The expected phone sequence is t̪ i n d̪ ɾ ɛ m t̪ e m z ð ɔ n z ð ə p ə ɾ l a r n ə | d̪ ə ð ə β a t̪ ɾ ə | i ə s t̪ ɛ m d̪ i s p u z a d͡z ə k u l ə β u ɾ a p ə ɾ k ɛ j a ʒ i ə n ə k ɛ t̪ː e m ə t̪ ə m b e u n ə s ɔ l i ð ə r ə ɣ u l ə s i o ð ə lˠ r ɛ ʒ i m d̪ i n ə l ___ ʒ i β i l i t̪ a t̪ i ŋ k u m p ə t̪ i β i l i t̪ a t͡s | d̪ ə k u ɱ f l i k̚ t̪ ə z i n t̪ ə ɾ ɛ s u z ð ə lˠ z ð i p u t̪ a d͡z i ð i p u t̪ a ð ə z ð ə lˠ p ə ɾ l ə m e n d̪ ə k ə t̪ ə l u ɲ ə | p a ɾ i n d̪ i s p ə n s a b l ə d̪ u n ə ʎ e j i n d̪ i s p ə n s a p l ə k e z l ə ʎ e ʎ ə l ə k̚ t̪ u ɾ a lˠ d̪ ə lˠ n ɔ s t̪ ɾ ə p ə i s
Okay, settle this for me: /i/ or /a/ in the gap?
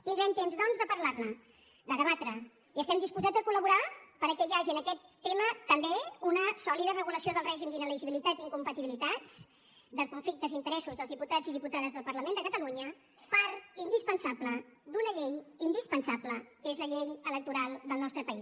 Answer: i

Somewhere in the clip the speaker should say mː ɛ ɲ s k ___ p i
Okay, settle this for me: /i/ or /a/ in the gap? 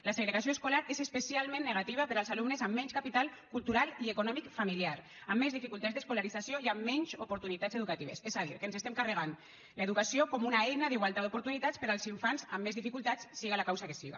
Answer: a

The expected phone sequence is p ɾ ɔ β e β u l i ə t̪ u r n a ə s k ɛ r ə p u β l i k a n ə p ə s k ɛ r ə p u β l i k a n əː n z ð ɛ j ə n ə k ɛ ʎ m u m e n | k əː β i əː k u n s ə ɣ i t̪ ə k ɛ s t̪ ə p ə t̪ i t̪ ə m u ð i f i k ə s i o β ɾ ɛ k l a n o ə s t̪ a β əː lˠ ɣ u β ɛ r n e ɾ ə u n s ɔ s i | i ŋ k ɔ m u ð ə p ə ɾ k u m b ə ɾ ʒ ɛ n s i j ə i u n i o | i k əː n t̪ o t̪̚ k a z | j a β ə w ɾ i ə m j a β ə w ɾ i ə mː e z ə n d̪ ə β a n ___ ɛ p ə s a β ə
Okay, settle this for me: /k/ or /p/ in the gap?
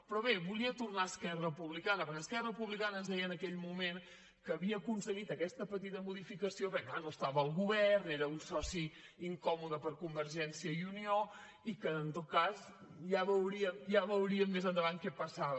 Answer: k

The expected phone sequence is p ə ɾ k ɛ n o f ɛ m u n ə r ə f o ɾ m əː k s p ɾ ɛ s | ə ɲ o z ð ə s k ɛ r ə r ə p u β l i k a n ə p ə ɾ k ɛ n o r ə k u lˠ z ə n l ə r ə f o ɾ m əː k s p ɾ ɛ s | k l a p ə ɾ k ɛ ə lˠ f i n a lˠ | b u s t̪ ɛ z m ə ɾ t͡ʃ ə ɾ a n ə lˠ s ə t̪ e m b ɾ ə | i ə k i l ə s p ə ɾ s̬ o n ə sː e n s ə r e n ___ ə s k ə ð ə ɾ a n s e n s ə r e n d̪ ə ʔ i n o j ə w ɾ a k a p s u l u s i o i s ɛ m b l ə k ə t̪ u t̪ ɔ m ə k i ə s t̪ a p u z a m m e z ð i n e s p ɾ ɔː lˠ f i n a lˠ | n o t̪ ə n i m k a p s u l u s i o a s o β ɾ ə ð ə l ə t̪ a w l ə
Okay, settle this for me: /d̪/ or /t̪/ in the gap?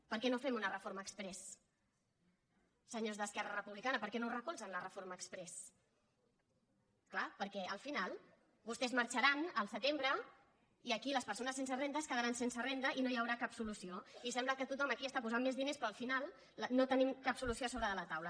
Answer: d̪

